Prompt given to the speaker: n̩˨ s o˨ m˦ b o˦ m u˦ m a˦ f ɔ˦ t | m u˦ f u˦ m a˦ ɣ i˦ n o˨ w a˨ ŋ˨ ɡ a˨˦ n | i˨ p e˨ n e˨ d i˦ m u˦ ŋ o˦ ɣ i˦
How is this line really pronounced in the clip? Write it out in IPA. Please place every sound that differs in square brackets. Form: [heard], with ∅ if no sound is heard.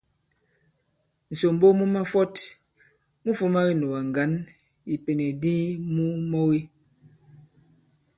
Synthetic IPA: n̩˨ s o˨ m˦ b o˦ m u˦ m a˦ f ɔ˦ t | m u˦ f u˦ m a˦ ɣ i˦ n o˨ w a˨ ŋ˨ ɡ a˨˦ n | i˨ p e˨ n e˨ d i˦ m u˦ [m] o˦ ɣ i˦